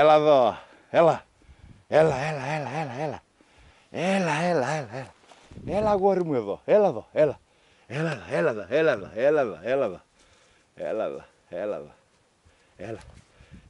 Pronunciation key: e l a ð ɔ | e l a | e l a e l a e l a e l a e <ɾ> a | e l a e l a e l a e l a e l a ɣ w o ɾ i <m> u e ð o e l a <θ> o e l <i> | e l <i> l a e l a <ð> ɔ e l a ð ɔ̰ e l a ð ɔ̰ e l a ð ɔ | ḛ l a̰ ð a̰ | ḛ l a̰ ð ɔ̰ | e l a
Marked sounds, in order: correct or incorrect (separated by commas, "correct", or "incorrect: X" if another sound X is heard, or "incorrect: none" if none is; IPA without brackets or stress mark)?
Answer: incorrect: l, correct, incorrect: ð, incorrect: a, incorrect: a, correct